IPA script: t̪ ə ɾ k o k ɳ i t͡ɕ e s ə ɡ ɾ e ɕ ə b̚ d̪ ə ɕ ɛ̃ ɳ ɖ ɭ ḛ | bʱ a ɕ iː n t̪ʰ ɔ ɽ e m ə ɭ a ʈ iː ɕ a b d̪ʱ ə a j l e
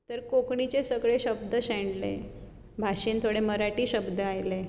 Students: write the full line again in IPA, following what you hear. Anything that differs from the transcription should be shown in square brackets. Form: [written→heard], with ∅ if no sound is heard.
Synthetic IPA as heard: t̪ ə ɾ k o k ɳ i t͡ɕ e s ə ɡ [ɾ→ɭ] e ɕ ə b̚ d̪ ə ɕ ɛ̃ ɳ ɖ [ɭ→l] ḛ | bʱ a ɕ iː n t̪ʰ [ɔ→o] ɽ e m ə [ɭ→ɾ] a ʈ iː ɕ [a→ə] b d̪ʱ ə a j l e

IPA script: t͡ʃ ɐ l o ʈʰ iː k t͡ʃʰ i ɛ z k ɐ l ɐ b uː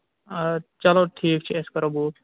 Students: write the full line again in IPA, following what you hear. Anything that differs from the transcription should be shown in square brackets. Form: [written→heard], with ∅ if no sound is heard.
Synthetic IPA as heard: t͡ʃ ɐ l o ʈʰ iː k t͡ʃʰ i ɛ [z→s] k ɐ [l→ɾ] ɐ b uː

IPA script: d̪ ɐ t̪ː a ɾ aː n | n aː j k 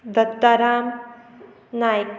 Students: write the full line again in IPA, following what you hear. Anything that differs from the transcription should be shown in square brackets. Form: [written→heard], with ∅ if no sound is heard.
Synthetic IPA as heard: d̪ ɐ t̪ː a ɾ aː [n→m] | n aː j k

